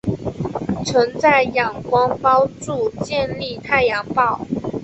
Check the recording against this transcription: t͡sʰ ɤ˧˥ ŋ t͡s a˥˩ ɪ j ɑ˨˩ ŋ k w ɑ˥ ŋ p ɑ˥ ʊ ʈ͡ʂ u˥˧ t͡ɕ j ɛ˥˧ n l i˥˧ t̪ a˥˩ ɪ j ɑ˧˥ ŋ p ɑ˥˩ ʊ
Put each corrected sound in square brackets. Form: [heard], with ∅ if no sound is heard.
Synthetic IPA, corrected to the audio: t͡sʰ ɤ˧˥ ŋ t͡s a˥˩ ɪ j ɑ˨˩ ŋ k w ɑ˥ ŋ p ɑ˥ ʊ ʈ͡ʂ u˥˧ t͡ɕ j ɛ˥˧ n l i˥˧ [t̪ʰ] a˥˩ ɪ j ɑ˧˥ ŋ p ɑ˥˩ ʊ